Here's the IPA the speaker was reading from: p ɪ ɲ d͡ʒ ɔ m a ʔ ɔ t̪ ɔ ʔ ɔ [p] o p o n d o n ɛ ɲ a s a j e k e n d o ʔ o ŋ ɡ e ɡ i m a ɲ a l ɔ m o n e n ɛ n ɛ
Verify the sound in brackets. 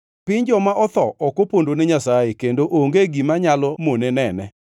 incorrect: k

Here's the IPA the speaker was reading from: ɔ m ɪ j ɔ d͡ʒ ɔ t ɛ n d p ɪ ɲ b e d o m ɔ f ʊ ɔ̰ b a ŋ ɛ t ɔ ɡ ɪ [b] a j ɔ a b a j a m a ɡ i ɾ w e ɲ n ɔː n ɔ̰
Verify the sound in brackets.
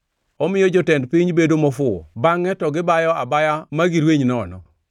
correct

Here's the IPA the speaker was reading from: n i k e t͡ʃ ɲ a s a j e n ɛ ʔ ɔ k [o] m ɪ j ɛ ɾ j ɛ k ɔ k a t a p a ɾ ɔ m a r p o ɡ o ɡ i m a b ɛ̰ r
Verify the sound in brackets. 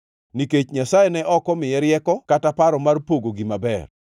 incorrect: ɔ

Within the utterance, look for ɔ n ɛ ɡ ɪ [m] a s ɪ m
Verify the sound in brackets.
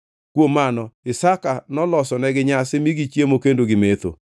incorrect: ɲ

